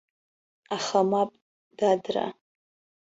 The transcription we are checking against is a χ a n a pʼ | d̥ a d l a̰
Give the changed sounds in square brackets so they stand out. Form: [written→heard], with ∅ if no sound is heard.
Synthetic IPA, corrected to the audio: a χ a [n→m] a pʼ | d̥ a d [l→r] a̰